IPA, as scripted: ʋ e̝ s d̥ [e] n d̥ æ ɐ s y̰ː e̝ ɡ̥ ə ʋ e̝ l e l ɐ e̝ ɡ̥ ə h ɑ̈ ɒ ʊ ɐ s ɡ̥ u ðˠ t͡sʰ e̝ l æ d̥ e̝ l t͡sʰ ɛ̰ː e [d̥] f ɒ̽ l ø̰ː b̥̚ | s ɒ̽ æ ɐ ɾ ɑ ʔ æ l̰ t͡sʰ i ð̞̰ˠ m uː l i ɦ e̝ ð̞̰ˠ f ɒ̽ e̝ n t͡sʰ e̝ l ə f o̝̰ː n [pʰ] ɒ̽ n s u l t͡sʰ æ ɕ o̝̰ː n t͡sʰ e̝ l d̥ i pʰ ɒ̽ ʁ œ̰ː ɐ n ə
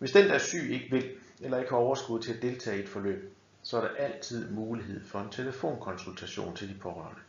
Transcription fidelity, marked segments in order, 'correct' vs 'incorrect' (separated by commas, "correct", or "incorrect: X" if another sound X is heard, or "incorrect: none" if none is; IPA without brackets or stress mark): correct, correct, incorrect: kʰ